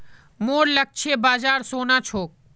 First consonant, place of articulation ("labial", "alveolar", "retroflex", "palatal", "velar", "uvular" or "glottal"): labial